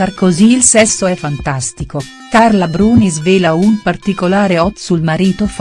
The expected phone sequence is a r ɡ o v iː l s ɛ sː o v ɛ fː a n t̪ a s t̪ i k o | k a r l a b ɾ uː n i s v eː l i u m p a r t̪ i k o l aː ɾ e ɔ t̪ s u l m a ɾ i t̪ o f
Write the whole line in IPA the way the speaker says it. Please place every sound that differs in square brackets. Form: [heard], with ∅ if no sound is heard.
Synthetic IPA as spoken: a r [k] o [z] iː l s ɛ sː o [∅] ɛ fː a n t̪ a s t̪ i k o | k a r l a b ɾ uː n i [z] v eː l [a] u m p a r t̪ i k o l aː ɾ e ɔ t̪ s u l m a ɾ [iː] t̪ o f